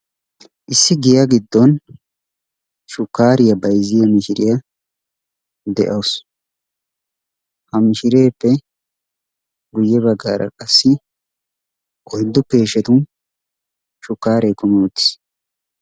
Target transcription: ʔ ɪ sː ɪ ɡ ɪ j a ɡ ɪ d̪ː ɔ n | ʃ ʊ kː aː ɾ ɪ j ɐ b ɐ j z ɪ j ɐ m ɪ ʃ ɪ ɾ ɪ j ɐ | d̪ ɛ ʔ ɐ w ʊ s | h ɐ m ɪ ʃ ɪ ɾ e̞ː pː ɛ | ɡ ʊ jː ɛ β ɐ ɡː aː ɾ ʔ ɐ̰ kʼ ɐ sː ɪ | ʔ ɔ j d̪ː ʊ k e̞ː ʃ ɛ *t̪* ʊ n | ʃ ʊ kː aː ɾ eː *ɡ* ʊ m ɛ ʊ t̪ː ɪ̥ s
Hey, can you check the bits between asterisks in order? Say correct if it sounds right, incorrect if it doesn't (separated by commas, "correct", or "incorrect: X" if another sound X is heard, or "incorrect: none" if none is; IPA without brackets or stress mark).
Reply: correct, incorrect: k